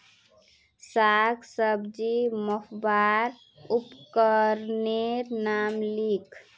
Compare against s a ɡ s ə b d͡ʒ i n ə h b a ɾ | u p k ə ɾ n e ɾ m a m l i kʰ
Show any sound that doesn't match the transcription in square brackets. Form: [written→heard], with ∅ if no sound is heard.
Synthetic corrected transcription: s a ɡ s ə b d͡ʒ i [n→m] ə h b a ɾ | u p k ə ɾ n e ɾ [m→n] a m l i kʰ